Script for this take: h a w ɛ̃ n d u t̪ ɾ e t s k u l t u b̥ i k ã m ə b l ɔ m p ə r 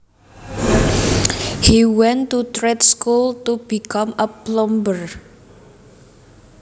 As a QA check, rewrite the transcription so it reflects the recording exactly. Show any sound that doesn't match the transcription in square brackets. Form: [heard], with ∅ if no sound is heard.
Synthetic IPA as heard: h [i] w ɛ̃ n [t] u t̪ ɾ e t s k u l t u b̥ i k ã m ə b l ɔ m [b] ə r